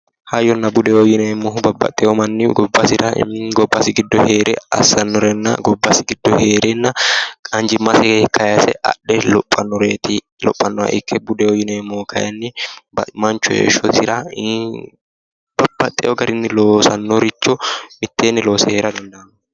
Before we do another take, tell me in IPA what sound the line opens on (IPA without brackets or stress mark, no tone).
h